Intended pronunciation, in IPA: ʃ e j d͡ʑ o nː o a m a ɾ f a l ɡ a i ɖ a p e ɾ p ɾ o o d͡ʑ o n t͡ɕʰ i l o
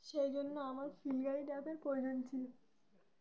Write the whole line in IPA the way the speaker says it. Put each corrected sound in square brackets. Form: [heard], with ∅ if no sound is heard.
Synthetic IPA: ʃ e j d͡ʑ o nː o a m a ɾ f [i] l ɡ a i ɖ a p e ɾ p ɾ o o d͡ʑ o n t͡ɕʰ i l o